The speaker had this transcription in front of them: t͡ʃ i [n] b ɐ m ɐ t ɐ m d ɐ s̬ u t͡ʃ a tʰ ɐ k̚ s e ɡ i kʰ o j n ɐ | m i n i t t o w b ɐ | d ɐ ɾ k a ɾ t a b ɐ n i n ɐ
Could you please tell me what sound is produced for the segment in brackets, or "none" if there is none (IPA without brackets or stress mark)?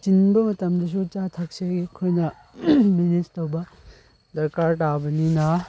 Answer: n